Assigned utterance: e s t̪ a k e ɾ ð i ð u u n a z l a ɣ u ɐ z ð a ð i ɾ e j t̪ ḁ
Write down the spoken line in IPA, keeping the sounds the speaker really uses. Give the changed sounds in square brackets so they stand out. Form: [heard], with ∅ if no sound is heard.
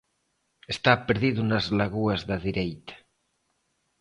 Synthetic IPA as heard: e s t̪ a [p] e ɾ ð i ð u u n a z l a ɣ u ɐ z ð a ð i ɾ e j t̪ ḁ